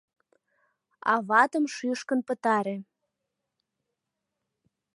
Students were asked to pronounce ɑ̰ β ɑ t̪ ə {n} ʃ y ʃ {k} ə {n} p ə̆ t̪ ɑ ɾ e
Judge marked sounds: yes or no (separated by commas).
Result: no, yes, yes